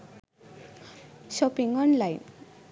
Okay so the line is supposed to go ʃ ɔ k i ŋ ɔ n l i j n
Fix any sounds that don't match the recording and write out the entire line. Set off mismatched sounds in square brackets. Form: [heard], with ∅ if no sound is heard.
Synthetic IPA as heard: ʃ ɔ [p] i ŋ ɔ n l [a] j n